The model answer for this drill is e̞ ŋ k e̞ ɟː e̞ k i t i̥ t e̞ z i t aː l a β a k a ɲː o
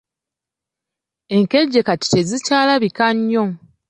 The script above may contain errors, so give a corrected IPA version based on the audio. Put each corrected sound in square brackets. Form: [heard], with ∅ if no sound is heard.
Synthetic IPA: e̞ ŋ k e̞ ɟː e̞ k [a] t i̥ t e̞ z i [c] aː l a β [i] k a ɲː o

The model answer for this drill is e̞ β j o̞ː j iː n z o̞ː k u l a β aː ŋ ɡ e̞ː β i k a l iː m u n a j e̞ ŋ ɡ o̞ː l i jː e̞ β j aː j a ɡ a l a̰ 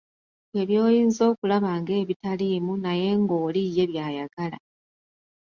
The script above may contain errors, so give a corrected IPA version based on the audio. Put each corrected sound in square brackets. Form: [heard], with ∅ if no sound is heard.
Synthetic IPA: e̞ β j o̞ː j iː n z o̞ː k u l a β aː ŋ ɡ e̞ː β i [t] a l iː m u n a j e̞ ŋ ɡ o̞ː l i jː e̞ β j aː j a ɡ a l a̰

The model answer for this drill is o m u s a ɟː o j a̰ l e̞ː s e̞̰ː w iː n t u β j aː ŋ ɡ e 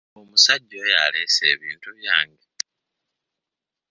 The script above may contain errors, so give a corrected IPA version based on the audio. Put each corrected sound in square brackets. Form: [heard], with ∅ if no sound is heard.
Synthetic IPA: o m u s a ɟː o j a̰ l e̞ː s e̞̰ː [β] iː n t u β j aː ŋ ɡ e

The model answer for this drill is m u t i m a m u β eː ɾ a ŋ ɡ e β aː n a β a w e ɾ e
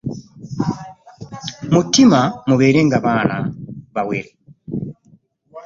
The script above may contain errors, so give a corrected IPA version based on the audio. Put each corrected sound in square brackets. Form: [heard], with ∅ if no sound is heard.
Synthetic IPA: m u t i m a m u β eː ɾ [e] ŋ ɡ [a] β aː n a β a w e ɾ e

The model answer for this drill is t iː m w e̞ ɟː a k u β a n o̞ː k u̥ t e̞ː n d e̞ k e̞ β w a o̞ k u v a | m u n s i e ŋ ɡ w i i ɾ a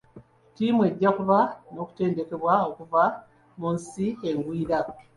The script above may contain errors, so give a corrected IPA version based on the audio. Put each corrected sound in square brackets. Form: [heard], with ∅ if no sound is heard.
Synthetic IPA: t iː m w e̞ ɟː a k u β a n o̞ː k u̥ t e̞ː n d e̞ k e̞ β w a o̞ k u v a | m u n s i e ŋ ɡ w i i ɾ a

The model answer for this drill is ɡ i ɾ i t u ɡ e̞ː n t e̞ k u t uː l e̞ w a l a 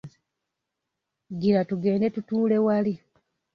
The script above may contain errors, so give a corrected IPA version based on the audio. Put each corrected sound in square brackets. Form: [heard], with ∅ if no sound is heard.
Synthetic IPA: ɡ i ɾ [a] t u ɡ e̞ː n [d] e̞ [t] u t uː l e̞ w a l [i]

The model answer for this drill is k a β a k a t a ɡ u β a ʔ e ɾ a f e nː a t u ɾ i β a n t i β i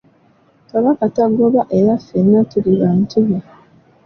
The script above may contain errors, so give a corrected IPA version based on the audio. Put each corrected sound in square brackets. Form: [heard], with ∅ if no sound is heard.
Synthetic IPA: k a β a k a t a ɡ [o] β a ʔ e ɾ a f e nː a t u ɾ i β a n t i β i

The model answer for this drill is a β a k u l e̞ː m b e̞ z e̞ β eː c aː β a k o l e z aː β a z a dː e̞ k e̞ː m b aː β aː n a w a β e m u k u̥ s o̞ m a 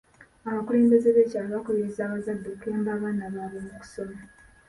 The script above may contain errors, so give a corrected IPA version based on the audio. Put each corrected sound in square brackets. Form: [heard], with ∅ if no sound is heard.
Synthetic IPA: a β a k u l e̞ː m b e̞ z e̞ β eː c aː β a k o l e z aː β a z a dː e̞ k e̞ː m b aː β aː n a [β] a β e m u k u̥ s o̞ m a

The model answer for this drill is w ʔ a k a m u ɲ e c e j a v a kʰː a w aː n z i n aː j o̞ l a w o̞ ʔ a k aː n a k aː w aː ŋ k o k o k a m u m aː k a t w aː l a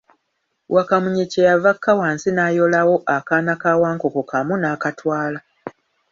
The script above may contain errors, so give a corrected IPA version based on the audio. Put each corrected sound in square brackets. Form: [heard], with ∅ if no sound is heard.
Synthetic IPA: w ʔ a k a m u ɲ e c e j a v a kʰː a w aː n [s] i n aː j o̞ l a w o̞ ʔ a k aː n a k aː w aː ŋ k o k o k a m u [n] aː k a t w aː l a

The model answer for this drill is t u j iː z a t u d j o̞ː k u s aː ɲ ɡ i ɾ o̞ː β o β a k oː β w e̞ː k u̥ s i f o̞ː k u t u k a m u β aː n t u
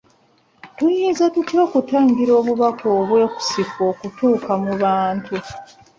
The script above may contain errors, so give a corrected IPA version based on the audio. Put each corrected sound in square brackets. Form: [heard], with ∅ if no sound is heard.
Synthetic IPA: t u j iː z a t u [t] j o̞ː k u [t] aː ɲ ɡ i ɾ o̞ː β [u] β a k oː β w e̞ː k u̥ s i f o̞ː k u t [uː] k a m u β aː n t u

